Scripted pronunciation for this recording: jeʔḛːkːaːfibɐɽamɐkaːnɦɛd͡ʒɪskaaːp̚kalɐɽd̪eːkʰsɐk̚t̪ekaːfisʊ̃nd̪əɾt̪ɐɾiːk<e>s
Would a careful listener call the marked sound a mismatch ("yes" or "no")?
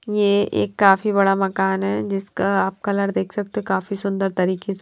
no